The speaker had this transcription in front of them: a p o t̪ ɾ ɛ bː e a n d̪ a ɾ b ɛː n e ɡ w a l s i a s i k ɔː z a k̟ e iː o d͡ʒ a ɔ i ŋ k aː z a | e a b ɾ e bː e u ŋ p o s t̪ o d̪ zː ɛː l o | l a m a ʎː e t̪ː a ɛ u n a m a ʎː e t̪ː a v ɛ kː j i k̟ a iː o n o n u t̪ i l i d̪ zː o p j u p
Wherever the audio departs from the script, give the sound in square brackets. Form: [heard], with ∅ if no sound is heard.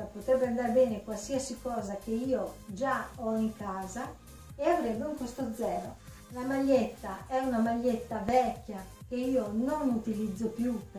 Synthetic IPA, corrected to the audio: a p o t̪ ɾ ɛ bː e a n d̪ a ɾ b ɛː n e [k] w a l s i a s i k ɔː z a k̟ e iː o d͡ʒ a ɔ i ŋ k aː z a | e a [v] ɾ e bː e u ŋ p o s t̪ o d̪ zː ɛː [ɾ] o | l a m a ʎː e t̪ː a ɛ u n a m a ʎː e t̪ː a v ɛ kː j [a] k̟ [e] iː o n o n u t̪ i l i d̪ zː o p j u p